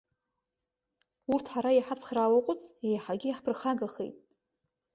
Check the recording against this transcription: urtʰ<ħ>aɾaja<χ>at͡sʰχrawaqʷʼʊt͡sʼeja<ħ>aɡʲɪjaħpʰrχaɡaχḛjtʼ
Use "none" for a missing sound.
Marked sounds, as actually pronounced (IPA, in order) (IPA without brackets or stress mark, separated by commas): ħ, ħ, ħ